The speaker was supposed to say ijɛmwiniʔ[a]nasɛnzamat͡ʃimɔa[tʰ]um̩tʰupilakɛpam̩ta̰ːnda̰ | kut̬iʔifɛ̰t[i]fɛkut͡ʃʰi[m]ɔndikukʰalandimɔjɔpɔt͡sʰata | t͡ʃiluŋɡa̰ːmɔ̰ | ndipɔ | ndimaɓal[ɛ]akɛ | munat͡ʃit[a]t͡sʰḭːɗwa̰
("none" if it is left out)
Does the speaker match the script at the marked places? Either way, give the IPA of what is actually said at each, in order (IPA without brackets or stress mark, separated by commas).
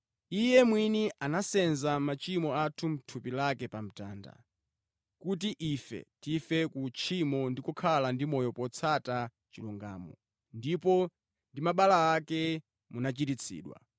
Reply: a, tʰ, i, m, a, i